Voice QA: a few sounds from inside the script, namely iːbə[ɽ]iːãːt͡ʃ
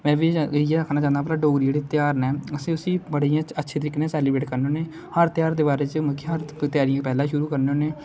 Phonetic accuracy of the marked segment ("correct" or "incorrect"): correct